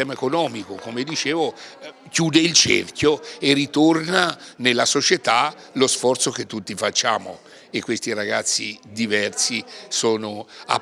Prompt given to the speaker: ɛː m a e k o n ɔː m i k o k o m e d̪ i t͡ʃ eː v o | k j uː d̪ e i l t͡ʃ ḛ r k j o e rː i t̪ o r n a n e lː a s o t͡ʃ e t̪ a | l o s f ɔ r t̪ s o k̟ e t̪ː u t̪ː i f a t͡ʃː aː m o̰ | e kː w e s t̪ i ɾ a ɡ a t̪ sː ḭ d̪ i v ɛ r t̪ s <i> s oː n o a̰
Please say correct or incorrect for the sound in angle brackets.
correct